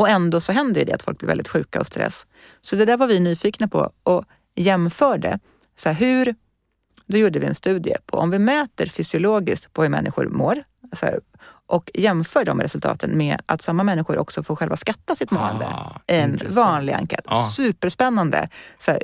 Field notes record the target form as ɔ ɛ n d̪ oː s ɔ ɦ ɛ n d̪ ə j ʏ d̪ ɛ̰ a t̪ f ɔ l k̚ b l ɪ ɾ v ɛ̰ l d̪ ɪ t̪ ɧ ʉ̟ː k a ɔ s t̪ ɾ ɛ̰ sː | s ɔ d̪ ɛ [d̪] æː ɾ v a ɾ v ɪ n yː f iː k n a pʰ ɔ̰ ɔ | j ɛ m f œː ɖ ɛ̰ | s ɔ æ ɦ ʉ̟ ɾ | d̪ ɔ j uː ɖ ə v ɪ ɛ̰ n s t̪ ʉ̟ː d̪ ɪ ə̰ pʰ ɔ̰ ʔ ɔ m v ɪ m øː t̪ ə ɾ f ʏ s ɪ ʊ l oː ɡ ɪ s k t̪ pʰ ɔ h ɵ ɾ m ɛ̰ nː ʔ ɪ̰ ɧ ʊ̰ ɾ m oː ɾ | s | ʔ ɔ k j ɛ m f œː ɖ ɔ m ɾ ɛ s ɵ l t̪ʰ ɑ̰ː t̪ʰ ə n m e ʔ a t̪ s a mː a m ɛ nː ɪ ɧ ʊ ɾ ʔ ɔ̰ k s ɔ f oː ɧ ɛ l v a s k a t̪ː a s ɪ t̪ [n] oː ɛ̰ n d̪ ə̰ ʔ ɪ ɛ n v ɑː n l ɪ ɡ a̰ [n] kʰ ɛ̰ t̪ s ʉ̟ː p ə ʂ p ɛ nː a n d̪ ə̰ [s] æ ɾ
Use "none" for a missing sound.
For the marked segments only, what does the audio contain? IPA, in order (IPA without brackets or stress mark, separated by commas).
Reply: d̪, m, ŋ, s